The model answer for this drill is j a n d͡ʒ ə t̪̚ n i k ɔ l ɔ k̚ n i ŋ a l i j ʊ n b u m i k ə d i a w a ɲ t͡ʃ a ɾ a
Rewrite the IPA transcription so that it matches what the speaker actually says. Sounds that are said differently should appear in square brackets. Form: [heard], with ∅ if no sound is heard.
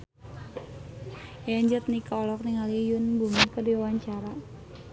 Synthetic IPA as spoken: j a [ɲ] d͡ʒ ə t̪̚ n i k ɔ l ɔ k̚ n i ŋ a l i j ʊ n b u m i k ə d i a w a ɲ t͡ʃ a ɾ a